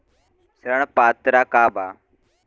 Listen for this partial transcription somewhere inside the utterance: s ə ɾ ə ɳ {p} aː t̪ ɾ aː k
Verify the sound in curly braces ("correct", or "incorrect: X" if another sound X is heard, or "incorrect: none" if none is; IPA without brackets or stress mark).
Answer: correct